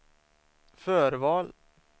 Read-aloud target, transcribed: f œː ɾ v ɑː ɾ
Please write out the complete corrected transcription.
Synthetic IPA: f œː ɾ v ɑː l